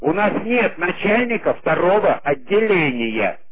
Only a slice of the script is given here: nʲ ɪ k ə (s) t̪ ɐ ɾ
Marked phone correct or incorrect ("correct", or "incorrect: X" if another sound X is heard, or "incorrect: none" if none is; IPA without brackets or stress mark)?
incorrect: f